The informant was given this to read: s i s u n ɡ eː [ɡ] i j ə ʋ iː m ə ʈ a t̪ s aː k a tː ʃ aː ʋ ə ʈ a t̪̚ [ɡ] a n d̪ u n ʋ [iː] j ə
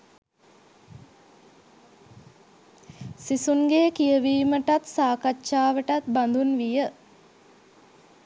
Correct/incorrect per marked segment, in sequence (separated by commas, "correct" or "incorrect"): incorrect, incorrect, incorrect